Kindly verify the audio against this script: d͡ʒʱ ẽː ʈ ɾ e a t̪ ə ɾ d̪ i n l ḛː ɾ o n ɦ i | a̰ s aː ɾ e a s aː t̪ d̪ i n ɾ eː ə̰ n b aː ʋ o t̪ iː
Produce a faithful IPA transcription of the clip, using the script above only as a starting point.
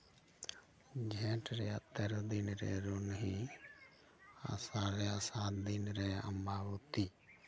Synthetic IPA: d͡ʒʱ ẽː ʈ ɾ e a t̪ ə ɾ d̪ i n ɾ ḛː ɾ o n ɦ i | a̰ s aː ɾ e a s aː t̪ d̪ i n ɾ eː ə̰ m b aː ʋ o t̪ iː